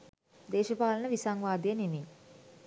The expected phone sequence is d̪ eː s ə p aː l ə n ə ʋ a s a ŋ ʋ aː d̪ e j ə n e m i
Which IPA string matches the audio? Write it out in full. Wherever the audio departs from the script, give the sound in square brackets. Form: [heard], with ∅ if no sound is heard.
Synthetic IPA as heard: d̪ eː [ʃ] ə p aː l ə n ə ʋ [i] s a ŋ ʋ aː d̪ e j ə n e m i